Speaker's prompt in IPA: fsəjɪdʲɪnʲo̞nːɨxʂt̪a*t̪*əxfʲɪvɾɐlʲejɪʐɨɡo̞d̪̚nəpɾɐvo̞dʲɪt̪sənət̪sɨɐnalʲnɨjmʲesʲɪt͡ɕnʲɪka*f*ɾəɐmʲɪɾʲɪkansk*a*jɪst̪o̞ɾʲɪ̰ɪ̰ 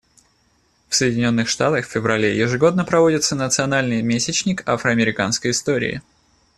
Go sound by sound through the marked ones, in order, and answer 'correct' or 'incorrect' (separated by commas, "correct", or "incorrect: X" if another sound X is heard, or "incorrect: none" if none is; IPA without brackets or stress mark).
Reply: correct, correct, incorrect: ə